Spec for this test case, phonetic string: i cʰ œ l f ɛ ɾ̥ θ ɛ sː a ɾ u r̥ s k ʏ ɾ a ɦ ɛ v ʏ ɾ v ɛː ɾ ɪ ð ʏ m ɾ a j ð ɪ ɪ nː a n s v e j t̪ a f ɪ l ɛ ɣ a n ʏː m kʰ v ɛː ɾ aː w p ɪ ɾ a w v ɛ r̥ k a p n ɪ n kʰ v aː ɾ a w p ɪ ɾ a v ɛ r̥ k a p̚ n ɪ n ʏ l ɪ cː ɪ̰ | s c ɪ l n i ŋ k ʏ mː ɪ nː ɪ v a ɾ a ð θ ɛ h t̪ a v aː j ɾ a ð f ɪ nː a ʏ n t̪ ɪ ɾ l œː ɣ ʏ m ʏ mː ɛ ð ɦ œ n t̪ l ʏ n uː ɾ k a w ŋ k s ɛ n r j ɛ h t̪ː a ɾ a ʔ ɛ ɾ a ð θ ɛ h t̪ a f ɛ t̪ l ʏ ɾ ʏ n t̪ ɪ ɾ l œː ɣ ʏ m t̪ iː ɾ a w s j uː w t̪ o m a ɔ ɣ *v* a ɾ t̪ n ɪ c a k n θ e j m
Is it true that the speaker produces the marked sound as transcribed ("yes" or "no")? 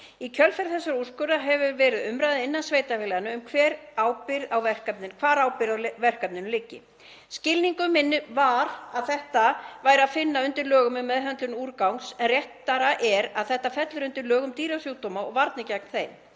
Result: yes